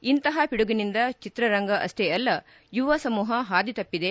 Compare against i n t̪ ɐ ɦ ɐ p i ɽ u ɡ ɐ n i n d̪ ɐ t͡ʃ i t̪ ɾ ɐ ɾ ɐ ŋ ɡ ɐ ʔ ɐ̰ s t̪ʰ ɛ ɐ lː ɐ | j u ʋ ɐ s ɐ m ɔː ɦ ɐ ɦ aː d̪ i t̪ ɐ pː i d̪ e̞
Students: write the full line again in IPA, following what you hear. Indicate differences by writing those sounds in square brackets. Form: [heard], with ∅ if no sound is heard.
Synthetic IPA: i n t̪ ɐ ɦ ɐ p i ɽ u ɡ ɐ n i n d̪ ɐ t͡ʃ i t̪ ɾ ɐ ɾ ɐ ŋ ɡ ɐ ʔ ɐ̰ s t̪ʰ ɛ ɐ lː ɐ | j u ʋ ɐ s ɐ m [uː] ɦ ɐ ɦ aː d̪ i t̪ ɐ pː i d̪ e̞